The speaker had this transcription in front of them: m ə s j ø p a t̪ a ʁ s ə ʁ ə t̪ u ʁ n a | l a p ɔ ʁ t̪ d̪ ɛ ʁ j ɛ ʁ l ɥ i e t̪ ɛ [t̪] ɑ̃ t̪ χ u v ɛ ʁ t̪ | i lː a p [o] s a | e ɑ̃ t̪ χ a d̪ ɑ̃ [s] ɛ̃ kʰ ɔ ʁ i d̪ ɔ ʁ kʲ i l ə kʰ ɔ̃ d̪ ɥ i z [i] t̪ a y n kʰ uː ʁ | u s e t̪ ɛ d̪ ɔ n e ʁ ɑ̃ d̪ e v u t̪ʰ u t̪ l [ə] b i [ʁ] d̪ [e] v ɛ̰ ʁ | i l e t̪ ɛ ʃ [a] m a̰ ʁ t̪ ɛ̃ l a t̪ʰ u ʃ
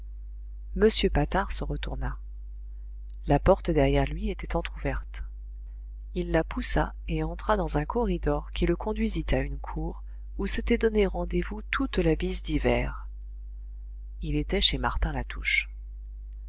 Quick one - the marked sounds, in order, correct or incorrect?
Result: correct, incorrect: u, incorrect: z, correct, incorrect: a, incorrect: z, incorrect: i, incorrect: e

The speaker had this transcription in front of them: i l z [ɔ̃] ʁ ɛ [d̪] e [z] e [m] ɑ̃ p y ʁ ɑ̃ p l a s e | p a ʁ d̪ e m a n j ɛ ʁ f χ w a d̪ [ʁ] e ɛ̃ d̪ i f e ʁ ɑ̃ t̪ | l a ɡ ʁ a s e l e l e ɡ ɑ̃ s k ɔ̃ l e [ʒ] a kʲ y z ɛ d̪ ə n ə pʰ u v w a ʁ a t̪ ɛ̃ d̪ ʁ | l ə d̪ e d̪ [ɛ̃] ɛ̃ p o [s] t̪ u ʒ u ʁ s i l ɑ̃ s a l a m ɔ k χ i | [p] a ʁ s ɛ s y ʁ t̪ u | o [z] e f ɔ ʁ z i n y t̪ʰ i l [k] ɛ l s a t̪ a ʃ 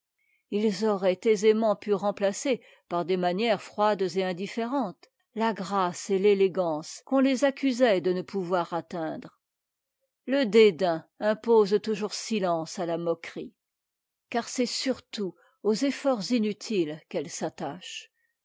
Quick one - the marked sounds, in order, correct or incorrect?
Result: incorrect: ɔ, incorrect: t̪, correct, correct, incorrect: z, incorrect: z, correct, incorrect: z, incorrect: k, correct, correct

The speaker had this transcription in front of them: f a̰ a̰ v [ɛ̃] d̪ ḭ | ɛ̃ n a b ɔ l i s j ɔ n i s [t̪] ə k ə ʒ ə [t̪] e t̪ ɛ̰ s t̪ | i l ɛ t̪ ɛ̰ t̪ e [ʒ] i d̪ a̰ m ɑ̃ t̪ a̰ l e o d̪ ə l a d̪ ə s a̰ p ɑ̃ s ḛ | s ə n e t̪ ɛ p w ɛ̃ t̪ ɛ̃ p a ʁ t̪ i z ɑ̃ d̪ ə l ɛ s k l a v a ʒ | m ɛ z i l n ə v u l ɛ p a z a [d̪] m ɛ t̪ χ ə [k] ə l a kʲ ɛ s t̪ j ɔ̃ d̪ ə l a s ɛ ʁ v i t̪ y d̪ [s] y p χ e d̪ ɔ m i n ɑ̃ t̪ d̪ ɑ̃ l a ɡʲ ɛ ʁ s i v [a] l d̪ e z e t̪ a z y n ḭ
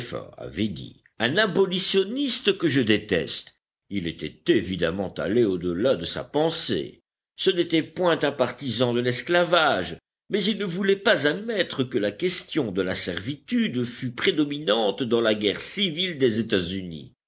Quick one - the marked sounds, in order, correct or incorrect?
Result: incorrect: ɛ, correct, incorrect: d̪, incorrect: v, correct, correct, incorrect: f, incorrect: i

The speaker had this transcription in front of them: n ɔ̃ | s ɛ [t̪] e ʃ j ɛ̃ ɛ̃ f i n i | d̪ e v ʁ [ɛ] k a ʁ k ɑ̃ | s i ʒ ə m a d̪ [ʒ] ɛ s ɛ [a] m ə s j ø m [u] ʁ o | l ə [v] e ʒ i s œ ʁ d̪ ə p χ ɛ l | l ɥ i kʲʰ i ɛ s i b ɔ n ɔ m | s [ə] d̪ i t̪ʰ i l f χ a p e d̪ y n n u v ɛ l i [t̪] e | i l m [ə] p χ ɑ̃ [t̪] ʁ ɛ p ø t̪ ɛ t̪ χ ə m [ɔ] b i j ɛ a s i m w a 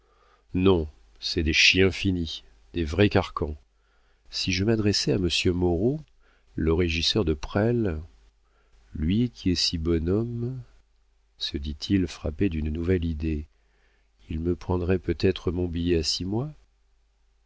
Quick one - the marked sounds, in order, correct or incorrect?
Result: incorrect: d̪, correct, incorrect: ʁ, correct, incorrect: ɔ, incorrect: ʁ, correct, incorrect: d̪, correct, incorrect: d̪, incorrect: ɔ̃

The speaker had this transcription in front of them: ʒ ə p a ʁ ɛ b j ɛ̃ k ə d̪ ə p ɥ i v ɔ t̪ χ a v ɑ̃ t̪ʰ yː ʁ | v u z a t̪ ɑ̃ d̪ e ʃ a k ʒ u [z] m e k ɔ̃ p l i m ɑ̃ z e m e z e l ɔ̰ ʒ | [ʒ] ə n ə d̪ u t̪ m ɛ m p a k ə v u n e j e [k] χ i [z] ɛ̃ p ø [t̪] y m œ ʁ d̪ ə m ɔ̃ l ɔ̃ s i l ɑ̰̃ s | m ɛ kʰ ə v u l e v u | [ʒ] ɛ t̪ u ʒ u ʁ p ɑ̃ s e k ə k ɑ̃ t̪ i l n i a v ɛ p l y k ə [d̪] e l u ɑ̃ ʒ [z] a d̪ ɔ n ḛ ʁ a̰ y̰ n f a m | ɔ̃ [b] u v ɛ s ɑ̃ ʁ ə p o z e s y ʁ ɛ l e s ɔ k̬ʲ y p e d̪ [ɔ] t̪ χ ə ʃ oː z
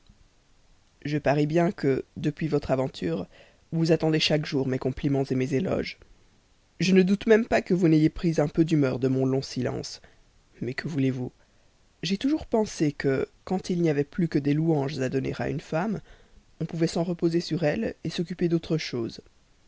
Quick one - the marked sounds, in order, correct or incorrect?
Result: incorrect: ʁ, correct, incorrect: p, correct, incorrect: d̪, correct, correct, correct, incorrect: p, incorrect: o

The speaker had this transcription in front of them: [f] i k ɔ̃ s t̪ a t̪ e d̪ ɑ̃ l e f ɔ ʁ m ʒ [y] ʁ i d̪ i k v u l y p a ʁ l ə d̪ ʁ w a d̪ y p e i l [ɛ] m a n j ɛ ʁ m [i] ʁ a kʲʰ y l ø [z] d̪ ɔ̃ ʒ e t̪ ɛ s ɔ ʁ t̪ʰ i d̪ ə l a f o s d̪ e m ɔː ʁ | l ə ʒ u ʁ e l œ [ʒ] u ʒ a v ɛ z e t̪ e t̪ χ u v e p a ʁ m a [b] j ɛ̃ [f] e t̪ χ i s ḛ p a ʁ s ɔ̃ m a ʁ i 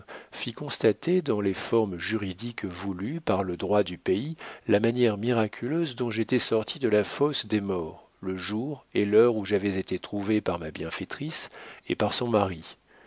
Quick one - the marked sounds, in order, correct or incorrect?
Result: correct, correct, incorrect: a, correct, correct, incorrect: ʁ, correct, correct

